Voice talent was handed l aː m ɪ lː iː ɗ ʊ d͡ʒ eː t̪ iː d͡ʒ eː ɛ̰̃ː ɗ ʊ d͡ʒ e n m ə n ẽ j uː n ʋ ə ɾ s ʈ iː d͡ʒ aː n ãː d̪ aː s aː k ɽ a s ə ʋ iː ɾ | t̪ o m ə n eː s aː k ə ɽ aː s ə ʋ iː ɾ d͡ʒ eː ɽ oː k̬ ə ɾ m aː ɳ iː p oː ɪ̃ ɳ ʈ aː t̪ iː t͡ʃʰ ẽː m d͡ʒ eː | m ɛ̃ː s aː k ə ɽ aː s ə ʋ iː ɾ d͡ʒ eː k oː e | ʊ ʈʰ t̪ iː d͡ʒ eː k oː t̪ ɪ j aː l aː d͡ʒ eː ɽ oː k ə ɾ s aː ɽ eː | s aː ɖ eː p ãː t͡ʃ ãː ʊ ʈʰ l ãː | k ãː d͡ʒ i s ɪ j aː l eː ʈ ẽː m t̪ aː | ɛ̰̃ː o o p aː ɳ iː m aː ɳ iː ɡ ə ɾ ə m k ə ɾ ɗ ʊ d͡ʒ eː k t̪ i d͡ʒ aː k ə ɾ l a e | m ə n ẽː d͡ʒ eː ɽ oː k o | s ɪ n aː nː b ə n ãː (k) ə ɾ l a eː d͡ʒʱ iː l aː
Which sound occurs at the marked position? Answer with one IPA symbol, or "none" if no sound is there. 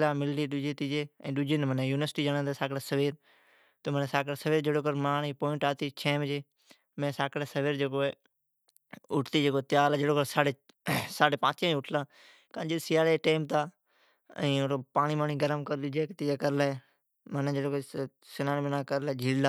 k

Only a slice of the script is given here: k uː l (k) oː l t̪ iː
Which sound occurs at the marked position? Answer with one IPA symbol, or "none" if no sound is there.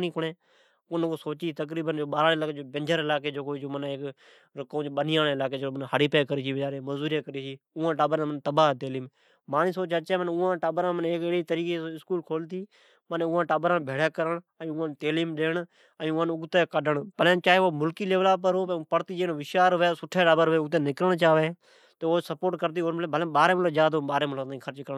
kʰ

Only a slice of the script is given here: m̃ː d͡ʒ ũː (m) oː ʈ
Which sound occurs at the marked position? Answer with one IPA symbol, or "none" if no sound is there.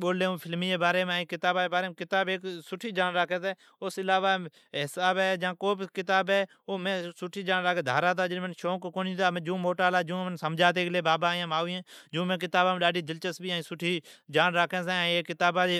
m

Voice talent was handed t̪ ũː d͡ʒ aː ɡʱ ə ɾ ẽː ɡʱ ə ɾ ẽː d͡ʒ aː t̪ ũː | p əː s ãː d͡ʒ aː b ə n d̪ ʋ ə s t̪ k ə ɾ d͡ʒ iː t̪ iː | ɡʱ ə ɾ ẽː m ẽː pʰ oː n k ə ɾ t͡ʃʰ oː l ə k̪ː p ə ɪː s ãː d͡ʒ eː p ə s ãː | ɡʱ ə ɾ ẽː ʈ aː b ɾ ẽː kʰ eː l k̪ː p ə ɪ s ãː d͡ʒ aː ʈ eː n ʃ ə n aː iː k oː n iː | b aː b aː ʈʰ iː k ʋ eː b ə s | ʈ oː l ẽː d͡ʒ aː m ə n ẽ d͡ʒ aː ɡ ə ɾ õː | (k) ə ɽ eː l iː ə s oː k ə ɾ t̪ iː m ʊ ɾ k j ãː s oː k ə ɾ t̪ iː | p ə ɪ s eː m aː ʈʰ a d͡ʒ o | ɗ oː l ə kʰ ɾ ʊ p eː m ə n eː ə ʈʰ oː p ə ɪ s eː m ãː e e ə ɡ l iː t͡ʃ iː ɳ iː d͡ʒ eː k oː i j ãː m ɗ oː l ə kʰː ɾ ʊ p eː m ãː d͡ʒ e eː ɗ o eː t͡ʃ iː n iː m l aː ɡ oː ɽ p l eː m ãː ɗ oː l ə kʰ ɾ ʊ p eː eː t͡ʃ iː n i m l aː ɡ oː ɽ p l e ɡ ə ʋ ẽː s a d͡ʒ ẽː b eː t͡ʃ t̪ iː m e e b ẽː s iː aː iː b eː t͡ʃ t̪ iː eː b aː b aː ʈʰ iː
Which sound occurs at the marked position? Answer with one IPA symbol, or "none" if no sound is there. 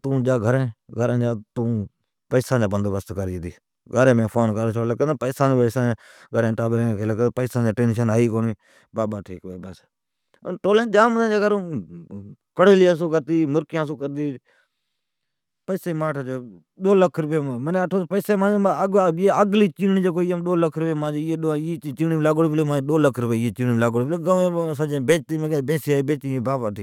k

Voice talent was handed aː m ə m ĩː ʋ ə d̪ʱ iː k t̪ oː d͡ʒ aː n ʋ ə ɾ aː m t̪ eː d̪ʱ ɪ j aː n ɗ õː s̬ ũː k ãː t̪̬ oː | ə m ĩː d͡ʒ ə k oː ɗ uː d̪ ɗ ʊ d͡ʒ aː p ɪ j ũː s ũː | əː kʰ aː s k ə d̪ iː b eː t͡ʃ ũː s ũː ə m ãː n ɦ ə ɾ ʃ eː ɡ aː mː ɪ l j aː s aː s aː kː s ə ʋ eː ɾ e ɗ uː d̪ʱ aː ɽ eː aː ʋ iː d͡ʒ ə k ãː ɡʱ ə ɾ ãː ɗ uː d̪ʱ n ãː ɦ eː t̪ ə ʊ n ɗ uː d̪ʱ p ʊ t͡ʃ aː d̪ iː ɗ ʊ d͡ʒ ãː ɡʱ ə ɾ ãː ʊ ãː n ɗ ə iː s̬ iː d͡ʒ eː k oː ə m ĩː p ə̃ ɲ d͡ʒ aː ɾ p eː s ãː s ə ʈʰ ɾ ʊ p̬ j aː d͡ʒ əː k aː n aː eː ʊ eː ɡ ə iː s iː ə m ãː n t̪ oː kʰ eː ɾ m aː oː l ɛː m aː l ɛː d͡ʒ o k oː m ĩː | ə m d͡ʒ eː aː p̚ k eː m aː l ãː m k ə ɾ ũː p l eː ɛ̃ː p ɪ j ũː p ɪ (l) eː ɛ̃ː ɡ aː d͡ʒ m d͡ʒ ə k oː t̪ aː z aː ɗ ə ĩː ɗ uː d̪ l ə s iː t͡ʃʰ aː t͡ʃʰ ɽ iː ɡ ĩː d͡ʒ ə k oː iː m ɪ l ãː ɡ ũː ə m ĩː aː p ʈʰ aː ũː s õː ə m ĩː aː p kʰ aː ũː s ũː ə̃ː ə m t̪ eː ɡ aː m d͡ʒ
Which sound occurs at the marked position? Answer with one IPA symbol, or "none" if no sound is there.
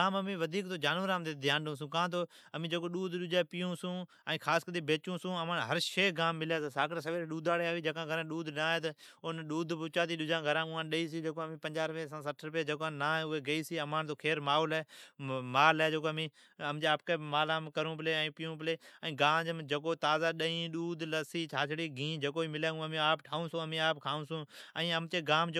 l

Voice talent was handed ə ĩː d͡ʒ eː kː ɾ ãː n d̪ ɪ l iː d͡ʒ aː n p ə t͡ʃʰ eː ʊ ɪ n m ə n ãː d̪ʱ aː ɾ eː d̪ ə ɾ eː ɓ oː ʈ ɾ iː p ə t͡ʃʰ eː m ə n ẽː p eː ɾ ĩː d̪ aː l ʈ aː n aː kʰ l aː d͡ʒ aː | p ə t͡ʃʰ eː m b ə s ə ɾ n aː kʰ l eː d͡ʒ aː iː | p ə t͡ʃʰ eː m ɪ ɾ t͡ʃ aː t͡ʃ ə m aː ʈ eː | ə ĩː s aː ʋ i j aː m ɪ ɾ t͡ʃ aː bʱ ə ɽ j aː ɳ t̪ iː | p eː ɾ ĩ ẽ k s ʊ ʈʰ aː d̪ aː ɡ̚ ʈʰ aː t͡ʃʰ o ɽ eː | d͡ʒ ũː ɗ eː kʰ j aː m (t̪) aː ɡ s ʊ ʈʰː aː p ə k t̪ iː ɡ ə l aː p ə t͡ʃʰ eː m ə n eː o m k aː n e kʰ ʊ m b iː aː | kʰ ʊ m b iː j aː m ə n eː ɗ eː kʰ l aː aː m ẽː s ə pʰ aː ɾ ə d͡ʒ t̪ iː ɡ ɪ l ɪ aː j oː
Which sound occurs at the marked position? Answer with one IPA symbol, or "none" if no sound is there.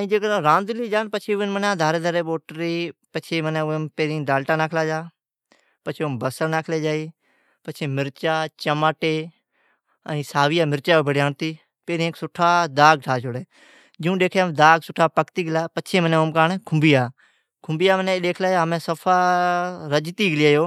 d̪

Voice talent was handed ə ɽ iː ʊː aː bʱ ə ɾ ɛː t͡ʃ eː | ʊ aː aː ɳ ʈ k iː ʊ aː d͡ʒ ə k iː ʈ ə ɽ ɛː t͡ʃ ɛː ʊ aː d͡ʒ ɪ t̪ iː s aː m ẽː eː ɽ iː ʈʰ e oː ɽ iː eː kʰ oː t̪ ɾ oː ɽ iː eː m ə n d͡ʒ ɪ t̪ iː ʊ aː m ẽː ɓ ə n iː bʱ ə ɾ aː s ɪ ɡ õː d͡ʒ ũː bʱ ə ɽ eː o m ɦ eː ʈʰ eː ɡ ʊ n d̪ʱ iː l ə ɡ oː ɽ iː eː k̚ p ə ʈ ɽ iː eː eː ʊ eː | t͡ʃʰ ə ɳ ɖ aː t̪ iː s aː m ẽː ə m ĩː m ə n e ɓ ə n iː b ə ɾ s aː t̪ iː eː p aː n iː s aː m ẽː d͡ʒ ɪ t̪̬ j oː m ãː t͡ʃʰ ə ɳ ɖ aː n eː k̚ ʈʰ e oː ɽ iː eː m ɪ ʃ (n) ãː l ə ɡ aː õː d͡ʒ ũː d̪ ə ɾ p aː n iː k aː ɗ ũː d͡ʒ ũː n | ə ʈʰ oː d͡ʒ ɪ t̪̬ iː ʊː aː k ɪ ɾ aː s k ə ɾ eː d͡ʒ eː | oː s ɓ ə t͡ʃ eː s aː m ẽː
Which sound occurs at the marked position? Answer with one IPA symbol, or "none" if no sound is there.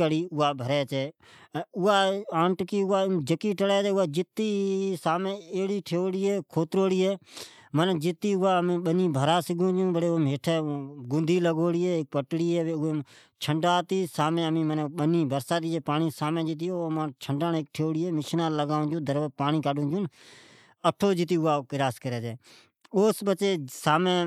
n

